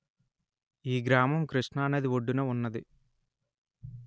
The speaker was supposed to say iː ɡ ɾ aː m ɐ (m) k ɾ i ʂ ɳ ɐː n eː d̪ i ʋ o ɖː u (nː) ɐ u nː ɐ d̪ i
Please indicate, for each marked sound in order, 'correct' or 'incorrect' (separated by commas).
correct, incorrect